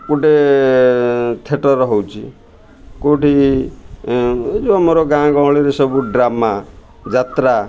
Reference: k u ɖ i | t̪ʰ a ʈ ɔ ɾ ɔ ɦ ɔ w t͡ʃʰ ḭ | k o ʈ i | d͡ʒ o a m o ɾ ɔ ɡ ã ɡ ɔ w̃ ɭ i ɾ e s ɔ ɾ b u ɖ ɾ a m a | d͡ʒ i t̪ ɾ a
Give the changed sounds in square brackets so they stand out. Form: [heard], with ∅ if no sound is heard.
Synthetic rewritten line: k u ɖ [e] | t̪ʰ [e] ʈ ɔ ɾ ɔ ɦ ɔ w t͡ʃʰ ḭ | k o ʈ i | d͡ʒ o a m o ɾ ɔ ɡ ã ɡ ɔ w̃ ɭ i ɾ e s ɔ [∅] b u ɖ ɾ a m a | d͡ʒ [a] t̪ ɾ a

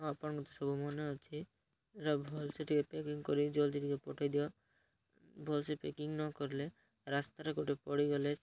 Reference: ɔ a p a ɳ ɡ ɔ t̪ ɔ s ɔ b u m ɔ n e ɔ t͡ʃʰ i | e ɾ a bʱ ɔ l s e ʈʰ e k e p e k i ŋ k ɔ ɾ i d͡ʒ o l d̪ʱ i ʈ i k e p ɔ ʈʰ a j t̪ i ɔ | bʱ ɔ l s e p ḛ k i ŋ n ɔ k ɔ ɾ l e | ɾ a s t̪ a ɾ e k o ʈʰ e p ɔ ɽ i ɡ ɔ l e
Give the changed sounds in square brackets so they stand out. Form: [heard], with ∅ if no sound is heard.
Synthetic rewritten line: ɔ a p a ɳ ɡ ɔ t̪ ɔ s ɔ b u m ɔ n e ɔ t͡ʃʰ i | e ɾ a bʱ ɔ l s e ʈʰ [i] k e p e k i ŋ k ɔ ɾ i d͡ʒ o l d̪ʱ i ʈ i k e p ɔ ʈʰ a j [d̪] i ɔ | bʱ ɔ l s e p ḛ k i ŋ n ɔ k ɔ ɾ l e | ɾ a s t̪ a ɾ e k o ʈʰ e p ɔ ɽ i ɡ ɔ l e

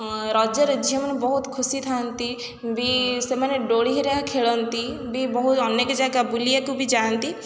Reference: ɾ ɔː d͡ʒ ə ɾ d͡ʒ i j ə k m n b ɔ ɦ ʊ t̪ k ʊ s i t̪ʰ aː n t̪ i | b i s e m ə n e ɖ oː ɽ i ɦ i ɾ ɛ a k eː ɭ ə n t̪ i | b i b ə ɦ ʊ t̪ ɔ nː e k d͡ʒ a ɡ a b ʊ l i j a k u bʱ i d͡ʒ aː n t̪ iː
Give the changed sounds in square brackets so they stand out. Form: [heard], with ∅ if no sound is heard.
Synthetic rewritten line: ɾ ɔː d͡ʒ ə ɾ d͡ʒ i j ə [∅] m n b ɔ ɦ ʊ t̪ [kʰ] ʊ s i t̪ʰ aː n t̪ i | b i s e m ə n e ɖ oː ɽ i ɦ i ɾ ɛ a [kʰ] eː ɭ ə n t̪ i | b i b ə ɦ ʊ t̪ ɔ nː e k d͡ʒ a ɡ a b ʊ l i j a k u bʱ i d͡ʒ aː n t̪ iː

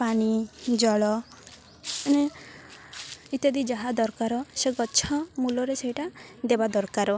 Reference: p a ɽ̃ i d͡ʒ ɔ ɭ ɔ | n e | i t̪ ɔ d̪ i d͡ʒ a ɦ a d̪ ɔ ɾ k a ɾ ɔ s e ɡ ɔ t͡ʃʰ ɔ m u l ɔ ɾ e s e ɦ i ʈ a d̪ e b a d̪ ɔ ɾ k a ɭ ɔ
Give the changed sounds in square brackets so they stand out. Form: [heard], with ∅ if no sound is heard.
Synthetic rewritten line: p a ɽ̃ i d͡ʒ ɔ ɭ ɔ | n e | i t̪ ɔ d̪ i d͡ʒ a ɦ a d̪ ɔ ɾ k a ɾ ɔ s e ɡ ɔ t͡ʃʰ ɔ m u l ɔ ɾ e s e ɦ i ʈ a d̪ e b a d̪ ɔ ɾ k a [ɾ] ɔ

